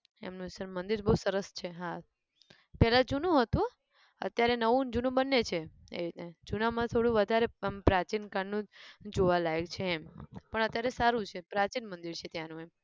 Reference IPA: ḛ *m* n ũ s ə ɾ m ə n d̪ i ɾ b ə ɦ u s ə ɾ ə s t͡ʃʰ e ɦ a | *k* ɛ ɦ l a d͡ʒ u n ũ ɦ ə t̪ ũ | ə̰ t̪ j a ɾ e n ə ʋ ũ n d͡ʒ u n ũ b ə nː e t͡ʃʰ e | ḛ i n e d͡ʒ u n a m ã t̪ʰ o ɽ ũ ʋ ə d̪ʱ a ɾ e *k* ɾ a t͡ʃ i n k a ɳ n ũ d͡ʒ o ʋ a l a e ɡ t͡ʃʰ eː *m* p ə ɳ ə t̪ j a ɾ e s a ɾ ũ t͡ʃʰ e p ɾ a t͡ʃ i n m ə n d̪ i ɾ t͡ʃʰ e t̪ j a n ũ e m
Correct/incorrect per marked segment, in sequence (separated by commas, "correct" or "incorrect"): correct, incorrect, incorrect, correct